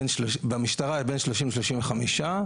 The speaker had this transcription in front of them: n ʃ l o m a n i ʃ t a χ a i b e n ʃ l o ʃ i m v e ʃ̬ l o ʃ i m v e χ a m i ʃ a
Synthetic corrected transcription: n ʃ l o b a m i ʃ t a ʁ a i b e n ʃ l o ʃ i m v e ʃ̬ l o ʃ i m v e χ a m i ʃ a